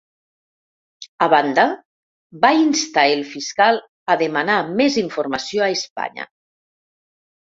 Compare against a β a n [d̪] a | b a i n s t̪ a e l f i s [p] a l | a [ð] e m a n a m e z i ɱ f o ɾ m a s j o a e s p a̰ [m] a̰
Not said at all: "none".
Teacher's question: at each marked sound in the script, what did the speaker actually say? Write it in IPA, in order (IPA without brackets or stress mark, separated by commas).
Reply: d̪, k, ð, ɲ